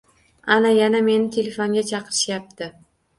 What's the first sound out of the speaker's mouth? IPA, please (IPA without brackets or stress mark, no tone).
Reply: a